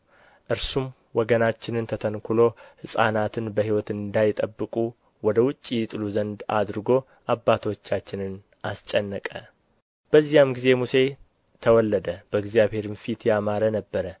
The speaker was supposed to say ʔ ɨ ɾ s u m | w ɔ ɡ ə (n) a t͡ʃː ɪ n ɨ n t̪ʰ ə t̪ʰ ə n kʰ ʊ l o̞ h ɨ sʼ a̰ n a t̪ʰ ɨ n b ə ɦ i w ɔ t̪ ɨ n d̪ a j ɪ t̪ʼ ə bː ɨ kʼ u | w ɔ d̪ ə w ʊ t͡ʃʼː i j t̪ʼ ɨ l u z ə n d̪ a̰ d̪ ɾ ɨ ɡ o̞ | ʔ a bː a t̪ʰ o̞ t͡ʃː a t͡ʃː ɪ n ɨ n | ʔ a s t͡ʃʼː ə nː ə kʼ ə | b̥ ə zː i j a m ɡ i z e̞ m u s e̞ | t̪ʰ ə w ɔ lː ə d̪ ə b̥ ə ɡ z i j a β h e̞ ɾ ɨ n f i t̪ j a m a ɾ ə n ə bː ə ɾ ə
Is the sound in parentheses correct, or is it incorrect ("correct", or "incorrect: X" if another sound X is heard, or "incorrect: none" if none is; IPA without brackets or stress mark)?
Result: correct